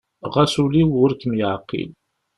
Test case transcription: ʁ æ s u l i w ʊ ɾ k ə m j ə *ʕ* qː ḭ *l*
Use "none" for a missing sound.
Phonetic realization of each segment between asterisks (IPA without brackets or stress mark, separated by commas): ʕ, l